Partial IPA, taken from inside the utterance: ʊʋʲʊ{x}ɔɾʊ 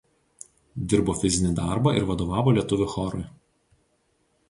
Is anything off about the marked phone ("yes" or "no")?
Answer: no